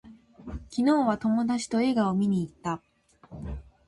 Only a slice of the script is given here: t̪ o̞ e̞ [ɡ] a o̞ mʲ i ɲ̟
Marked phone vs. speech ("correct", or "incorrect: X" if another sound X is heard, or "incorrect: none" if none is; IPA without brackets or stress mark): correct